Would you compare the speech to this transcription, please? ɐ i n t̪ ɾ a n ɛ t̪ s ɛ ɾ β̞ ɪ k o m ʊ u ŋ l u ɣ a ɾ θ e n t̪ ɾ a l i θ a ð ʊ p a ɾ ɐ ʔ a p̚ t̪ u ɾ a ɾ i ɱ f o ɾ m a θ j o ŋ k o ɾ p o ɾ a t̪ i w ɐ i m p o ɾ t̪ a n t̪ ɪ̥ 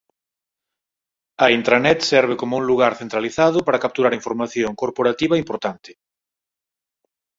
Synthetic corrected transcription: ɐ i n t̪ ɾ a n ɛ t̪ s ɛ ɾ β̞ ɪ k o m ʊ u ŋ l u ɣ a ɾ θ e n t̪ ɾ a l i θ a ð ʊ p a ɾ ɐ k a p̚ t̪ u ɾ a ɾ i ɱ f o ɾ m a θ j o ŋ k o ɾ p o ɾ a t̪ i β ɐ i m p o ɾ t̪ a n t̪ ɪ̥